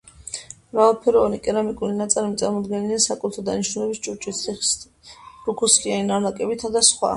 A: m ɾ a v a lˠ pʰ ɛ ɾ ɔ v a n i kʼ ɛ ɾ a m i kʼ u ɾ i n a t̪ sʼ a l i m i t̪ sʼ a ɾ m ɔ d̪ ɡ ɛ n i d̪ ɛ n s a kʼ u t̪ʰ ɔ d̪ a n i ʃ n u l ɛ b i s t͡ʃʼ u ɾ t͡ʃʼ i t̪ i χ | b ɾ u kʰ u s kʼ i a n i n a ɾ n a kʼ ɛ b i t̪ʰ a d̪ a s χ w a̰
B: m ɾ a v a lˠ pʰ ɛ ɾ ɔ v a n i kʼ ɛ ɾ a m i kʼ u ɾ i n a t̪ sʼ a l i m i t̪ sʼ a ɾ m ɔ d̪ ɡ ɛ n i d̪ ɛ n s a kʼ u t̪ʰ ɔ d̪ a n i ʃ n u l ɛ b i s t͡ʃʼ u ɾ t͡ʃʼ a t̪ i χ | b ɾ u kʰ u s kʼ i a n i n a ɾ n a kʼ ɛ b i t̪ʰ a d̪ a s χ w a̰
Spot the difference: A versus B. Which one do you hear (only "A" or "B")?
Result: A